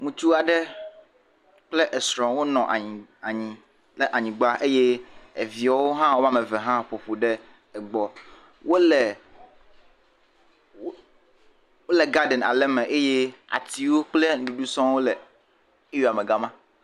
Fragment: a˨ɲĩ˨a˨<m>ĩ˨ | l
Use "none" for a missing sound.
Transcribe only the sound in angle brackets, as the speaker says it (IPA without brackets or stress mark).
ɲ